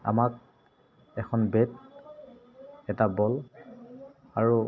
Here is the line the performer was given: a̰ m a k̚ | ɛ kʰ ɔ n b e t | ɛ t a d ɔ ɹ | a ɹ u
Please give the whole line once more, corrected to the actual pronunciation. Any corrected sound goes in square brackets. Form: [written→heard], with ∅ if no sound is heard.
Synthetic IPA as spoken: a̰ m a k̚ | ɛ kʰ ɔ n b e t | ɛ t a [d→b] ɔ [ɹ→l] | a ɹ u